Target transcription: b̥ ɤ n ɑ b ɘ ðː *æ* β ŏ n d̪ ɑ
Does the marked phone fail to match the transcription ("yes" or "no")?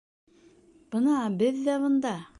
no